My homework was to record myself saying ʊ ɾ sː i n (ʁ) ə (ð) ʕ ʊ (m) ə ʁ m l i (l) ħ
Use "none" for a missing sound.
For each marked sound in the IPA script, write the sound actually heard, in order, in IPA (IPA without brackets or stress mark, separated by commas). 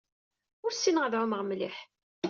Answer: ʁ, ð, m, none